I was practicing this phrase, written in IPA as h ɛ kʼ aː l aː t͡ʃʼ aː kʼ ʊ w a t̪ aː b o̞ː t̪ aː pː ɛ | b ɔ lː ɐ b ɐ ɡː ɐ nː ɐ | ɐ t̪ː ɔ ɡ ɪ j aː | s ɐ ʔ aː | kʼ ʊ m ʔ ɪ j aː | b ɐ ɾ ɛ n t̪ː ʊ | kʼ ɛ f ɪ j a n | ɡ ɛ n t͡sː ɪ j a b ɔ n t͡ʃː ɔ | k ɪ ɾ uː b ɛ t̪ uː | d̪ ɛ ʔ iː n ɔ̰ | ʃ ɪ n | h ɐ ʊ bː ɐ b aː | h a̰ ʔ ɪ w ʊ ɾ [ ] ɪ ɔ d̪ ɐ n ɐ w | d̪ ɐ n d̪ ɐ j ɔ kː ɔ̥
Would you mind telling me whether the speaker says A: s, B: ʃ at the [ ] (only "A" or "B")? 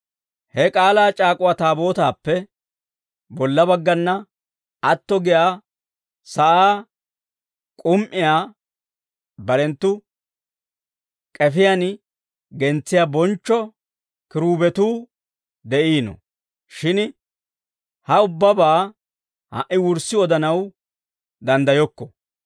A